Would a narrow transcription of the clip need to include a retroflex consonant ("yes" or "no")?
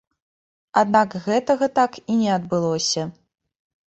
no